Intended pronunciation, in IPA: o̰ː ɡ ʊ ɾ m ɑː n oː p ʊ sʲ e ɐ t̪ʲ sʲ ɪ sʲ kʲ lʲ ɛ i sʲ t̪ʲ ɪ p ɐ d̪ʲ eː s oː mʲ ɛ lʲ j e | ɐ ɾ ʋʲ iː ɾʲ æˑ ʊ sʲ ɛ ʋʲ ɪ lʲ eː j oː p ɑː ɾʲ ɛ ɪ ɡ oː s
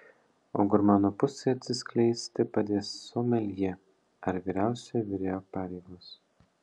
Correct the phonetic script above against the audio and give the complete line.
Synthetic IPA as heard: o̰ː ɡ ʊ ɾ m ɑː n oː p ʊ sʲ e ɐ t̪ʲ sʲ ɪ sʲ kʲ lʲ ɛ ɪ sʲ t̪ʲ ɪ p ɐ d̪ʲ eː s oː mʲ ɛ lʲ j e | ɐ ɾ ʋʲ iː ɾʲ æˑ ʊ sʲ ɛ ʋʲ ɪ ɾʲ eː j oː p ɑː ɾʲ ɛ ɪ ɡ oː s